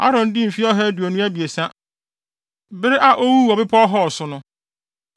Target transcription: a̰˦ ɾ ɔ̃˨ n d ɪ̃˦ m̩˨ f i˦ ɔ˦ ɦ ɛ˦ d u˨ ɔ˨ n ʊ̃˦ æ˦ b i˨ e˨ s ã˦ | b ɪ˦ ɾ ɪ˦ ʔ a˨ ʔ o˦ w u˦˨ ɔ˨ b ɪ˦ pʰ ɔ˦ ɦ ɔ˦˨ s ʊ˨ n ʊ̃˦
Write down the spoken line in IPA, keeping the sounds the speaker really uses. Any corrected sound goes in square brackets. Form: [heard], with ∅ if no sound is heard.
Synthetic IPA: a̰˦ ɾ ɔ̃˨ n d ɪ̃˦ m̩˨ f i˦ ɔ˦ ɦ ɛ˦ d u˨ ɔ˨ n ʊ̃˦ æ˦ b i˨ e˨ s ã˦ | b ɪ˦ ɾ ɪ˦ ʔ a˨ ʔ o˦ w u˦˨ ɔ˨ b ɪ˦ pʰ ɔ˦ ɦ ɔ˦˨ s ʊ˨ n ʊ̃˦